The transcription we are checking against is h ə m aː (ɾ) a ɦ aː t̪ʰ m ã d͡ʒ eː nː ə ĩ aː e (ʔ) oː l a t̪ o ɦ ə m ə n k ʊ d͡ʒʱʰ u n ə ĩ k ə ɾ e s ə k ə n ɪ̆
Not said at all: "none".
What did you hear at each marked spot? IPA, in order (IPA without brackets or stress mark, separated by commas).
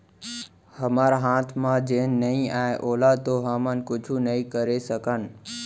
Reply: ɾ, ʔ